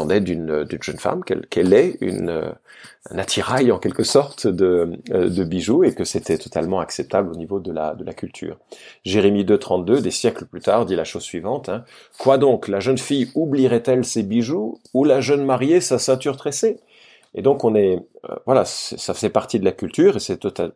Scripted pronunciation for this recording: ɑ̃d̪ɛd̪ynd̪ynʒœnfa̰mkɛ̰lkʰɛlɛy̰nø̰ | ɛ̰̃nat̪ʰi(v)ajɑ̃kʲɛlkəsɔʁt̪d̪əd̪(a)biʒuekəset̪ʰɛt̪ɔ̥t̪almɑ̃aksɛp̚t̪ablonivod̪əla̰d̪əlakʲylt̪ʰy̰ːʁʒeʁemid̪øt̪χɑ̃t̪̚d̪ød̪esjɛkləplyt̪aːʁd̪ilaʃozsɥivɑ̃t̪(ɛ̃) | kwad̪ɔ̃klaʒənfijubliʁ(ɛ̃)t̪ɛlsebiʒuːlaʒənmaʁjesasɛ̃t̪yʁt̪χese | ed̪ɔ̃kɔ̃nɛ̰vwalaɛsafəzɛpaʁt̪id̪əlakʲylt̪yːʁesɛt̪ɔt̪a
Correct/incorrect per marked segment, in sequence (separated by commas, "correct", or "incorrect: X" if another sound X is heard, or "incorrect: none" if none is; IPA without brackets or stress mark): incorrect: ʁ, incorrect: ə, correct, incorrect: ɛ